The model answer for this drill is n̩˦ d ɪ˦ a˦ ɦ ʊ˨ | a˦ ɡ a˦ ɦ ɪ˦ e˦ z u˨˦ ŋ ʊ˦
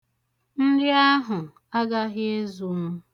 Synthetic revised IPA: n̩˦ d ɪ˦ a˦ ɦ ʊ˨ | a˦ ɡ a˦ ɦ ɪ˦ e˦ z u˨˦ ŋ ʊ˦